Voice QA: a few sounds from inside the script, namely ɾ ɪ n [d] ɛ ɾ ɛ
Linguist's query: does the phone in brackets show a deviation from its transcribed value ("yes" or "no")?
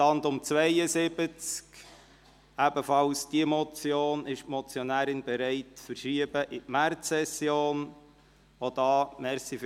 yes